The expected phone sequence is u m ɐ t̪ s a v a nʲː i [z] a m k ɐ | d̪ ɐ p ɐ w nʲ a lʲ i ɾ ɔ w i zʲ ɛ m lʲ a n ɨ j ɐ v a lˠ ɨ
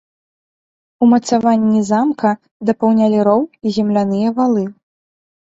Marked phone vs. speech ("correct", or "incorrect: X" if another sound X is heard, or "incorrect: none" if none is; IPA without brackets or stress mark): correct